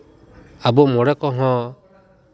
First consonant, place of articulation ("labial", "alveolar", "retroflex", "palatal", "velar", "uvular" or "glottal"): labial